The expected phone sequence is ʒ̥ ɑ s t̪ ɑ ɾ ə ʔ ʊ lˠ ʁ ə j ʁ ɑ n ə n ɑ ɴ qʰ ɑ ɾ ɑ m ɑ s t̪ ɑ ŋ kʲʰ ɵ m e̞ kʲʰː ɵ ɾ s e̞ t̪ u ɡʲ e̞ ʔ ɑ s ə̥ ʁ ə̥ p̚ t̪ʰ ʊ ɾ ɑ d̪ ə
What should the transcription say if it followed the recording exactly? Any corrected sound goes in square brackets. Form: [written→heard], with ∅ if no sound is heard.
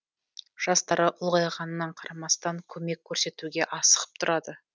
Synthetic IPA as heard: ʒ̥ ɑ s t̪ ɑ ɾ ə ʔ ʊ lˠ ʁ [ə→ɑ] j ʁ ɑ n ə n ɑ ɴ qʰ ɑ ɾ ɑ m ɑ s t̪ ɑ ŋ kʲʰ ɵ m e̞ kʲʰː ɵ ɾ s e̞ t̪ u ɡʲ e̞ ʔ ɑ s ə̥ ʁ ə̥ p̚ t̪ʰ ʊ ɾ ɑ d̪ ə